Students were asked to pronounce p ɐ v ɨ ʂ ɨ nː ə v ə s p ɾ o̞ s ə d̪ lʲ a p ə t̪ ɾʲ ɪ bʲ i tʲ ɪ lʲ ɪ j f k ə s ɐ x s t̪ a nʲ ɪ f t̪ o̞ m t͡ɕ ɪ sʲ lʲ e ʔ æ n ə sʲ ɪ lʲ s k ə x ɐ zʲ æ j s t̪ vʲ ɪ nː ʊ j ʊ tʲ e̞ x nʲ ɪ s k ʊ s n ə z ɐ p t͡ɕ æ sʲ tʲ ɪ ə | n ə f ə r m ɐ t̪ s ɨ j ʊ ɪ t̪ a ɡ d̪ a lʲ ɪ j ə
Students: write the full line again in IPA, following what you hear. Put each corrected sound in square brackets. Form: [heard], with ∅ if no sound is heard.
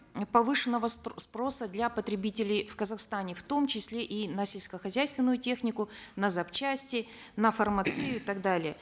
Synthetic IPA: p ɐ v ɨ ʂ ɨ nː ə v ə s p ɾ o̞ s ə d̪ lʲ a p ə t̪ ɾʲ ɪ bʲ i tʲ ɪ lʲ ɪ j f k ə [z] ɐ x s t̪ a nʲ ɪ f t̪ o̞ m t͡ɕ ɪ sʲ lʲ e ʔ [i] n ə sʲ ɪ lʲ s k ə x ɐ zʲ æ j s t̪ vʲ ɪ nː ʊ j ʊ tʲ e̞ x nʲ ɪ [∅] k ʊ [∅] n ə z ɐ p t͡ɕ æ sʲ tʲ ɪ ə | n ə f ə r m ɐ t̪ s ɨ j ʊ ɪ t̪ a ɡ d̪ a lʲ ɪ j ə